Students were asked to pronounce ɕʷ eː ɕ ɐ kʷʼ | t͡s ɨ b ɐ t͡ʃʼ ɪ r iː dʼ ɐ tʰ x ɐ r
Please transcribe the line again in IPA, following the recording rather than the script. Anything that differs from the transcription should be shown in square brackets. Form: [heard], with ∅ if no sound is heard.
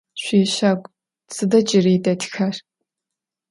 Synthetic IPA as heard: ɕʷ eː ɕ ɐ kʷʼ | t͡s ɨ [d] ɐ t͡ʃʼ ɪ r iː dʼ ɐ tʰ x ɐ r